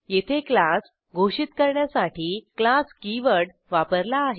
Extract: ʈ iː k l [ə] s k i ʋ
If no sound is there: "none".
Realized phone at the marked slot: a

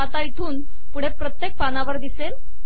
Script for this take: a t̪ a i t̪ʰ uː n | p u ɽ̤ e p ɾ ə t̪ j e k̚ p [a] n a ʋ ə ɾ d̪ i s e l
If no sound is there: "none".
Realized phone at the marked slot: a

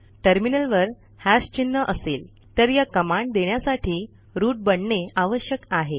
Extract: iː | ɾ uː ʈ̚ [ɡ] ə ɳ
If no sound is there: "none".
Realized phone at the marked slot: b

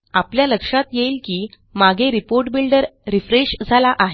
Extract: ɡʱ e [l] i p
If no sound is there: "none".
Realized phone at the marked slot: ɾ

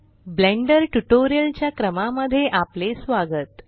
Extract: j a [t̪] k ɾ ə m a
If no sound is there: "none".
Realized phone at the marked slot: none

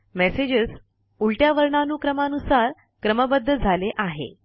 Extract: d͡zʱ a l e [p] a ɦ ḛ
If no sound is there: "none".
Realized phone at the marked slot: ʔ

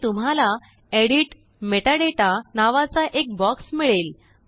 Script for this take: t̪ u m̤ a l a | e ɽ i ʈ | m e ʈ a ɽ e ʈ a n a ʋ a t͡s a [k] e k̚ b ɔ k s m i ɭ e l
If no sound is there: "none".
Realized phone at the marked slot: ʔ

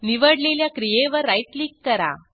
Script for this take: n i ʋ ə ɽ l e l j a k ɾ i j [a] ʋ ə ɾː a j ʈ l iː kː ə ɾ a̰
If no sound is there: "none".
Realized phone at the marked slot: e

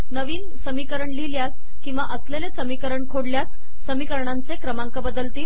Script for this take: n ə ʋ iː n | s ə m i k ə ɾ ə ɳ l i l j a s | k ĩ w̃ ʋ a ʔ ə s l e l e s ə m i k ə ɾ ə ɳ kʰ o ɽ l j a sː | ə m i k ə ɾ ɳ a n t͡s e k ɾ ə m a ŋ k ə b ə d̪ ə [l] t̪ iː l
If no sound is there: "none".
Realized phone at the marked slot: l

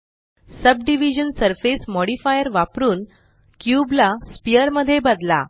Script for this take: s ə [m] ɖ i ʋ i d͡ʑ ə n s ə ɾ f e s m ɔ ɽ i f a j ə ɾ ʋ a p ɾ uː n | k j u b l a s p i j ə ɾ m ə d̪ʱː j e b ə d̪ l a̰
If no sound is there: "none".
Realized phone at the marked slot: b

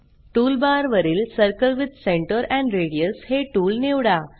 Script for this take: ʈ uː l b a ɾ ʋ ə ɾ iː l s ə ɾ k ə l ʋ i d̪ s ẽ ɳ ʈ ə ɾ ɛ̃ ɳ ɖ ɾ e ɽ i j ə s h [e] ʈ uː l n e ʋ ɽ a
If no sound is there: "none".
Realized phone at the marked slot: e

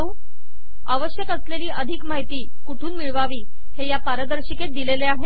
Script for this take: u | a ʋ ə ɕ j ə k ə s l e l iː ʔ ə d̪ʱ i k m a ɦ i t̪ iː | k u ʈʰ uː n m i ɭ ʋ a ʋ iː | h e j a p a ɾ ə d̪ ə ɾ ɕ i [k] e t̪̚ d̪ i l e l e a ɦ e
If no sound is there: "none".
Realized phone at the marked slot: k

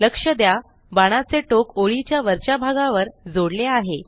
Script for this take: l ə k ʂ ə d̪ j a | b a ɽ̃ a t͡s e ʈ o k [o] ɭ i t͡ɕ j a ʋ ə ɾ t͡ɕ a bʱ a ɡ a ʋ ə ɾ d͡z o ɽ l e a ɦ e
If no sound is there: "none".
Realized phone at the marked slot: o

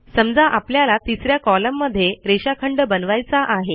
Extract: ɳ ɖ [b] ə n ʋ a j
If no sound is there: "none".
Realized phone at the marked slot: b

